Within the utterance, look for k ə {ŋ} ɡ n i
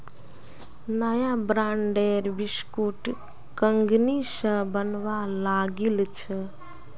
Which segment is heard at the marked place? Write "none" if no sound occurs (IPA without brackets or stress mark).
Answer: ŋ